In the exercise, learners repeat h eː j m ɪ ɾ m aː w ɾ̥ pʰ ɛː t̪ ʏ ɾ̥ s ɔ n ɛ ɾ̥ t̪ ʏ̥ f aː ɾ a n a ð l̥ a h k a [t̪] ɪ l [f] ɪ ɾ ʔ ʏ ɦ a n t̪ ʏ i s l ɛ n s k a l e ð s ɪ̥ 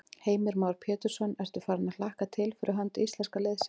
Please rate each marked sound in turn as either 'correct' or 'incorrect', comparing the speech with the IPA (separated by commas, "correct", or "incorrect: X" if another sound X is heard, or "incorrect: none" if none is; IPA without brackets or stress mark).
incorrect: t̪ʰ, correct